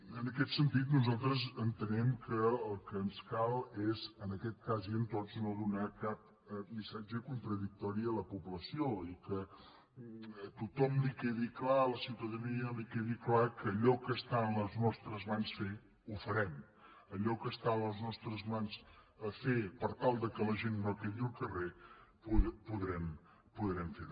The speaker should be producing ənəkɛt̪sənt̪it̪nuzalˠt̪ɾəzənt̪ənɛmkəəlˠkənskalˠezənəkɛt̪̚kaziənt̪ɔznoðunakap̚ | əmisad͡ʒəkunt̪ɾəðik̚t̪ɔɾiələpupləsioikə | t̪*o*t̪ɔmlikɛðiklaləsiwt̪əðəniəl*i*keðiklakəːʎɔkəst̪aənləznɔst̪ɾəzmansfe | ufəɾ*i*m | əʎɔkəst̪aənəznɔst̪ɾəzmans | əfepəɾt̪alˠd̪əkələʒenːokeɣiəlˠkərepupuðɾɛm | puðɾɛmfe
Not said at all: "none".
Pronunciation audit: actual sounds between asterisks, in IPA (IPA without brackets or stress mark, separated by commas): u, i, ɛ